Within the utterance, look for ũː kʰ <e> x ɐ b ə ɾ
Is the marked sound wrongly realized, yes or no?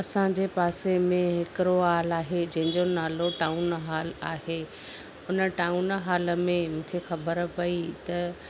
no